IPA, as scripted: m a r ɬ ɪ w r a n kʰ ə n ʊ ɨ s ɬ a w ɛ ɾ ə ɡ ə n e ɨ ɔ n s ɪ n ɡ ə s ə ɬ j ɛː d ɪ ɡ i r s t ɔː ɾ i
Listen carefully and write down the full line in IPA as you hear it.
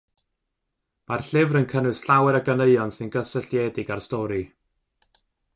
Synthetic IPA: m a r ɬ ɪ v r ə n kʰ ə n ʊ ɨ s ɬ a w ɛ ɾ ə ɡ ə n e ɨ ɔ n s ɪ n ɡ ə s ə ɬ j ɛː d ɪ ɡ a r s t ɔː ɾ i